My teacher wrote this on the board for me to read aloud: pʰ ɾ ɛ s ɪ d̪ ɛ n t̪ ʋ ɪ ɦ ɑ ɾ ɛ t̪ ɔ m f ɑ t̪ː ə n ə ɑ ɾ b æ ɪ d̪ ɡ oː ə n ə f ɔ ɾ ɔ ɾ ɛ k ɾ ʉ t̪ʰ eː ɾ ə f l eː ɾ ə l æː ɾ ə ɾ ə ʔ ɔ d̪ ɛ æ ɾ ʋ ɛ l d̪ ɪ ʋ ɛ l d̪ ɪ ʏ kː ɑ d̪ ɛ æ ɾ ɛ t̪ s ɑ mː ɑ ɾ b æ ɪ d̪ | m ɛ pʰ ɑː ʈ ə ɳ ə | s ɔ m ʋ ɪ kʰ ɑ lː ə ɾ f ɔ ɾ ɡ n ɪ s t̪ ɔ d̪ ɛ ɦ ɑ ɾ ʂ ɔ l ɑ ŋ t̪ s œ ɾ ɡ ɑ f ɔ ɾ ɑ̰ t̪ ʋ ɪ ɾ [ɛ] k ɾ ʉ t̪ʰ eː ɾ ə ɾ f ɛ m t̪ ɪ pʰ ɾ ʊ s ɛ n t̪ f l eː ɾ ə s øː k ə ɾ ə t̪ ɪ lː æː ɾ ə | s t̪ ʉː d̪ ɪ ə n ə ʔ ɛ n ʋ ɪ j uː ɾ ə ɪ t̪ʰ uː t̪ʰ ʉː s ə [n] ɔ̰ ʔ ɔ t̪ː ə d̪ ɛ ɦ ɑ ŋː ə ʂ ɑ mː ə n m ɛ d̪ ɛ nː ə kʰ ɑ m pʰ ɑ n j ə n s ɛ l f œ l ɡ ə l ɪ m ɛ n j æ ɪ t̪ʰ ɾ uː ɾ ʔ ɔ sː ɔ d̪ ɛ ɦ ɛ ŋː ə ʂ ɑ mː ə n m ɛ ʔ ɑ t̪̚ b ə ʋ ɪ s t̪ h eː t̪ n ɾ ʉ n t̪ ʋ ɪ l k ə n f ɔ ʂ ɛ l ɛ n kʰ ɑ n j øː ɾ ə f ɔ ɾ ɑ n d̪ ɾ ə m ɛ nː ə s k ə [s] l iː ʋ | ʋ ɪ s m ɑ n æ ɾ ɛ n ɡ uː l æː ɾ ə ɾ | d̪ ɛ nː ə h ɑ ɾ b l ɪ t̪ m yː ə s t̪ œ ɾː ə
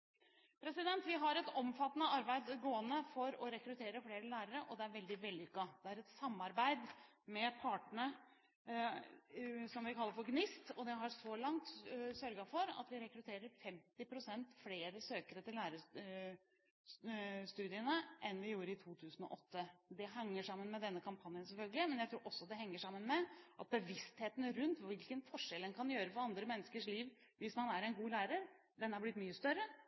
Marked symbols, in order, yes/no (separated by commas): yes, yes, no